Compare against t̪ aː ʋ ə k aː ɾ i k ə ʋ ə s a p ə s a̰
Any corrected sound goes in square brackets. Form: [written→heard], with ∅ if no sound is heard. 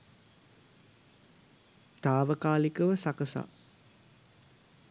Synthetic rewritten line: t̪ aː ʋ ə k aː [ɾ→l] i k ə ʋ ə s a [p→k] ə s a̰